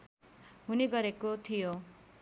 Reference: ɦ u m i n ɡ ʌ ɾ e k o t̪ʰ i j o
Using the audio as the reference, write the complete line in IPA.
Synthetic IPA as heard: ɦ u n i ɡ ʌ ɾ e k o t̪ʰ i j o